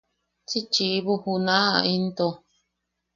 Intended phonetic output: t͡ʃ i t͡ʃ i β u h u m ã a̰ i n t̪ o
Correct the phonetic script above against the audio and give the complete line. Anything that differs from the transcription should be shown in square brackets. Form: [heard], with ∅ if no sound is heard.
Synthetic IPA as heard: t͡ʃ i t͡ʃ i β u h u [n] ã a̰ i n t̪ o

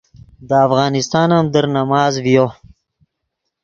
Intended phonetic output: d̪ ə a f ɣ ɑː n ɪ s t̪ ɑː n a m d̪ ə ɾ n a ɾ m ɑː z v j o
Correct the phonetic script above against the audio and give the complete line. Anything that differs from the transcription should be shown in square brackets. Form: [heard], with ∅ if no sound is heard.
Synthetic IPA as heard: d̪ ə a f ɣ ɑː n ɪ s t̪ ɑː n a m d̪ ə ɾ n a [∅] m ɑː z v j o

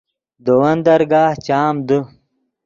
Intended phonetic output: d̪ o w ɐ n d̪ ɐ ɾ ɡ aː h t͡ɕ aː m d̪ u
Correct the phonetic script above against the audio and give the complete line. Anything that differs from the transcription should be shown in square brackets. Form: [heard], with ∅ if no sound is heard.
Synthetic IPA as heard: d̪ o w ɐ n d̪ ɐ ɾ ɡ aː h t͡ɕ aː m d̪ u

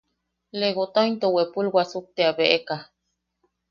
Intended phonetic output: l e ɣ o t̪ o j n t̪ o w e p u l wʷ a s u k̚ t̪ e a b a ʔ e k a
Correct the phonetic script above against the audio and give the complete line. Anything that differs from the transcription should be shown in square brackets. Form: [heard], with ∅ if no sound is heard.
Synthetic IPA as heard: l e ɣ o t̪ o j n t̪ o w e p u l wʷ a s u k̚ t̪ e a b [e] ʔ e k a

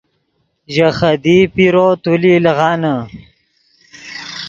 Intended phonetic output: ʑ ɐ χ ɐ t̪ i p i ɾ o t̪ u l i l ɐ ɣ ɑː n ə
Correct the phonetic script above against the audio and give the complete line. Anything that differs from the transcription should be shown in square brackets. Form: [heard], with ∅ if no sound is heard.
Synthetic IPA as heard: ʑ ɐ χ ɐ [d̪] i p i ɾ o t̪ u l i l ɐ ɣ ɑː n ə

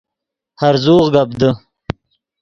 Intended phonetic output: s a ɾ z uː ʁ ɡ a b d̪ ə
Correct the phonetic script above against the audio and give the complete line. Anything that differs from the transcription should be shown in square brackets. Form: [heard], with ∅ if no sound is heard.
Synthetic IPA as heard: [h] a ɾ z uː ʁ ɡ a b d̪ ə

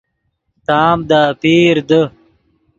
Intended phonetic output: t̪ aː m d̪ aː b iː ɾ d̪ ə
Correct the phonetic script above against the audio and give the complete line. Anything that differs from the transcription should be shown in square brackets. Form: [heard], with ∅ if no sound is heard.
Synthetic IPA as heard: t̪ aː m d̪ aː [p] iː ɾ d̪ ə

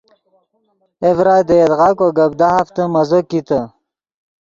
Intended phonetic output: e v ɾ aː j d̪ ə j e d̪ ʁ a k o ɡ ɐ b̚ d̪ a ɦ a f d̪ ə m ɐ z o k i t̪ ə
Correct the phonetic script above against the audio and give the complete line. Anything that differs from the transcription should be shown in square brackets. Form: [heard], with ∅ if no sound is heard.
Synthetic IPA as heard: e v ɾ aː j d̪ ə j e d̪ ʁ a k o ɡ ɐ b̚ d̪ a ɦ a f [t̪] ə m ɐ z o k i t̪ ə

